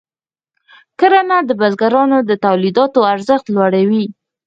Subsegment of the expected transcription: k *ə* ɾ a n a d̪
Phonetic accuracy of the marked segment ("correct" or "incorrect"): correct